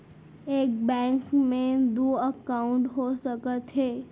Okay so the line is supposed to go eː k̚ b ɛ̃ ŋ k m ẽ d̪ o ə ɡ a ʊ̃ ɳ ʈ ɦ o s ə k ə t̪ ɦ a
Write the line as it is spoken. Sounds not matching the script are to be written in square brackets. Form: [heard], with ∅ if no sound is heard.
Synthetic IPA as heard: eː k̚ b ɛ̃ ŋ k m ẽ d̪ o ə [k] a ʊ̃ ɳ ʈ ɦ o s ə k ə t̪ ɦ [e]